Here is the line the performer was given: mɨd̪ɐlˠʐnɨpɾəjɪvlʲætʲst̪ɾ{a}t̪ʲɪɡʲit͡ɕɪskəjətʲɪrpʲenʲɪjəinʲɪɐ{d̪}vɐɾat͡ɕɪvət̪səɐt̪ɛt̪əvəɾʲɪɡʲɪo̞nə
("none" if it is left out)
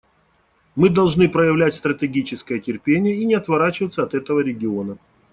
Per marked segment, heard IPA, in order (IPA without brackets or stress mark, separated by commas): ə, t̪